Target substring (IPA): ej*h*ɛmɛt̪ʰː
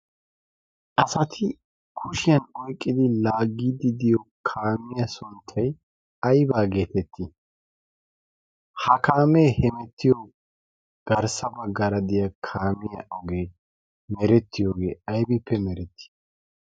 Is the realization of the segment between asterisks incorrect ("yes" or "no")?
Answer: no